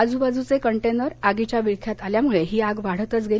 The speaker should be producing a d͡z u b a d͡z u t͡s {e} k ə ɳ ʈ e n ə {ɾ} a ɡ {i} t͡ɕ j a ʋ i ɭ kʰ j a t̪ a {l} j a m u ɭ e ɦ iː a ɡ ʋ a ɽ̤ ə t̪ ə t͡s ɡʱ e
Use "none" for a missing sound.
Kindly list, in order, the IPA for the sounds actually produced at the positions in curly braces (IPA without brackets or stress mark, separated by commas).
e, ɾ, i, l